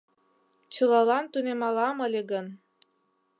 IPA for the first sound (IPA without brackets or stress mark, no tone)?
t͡ɕ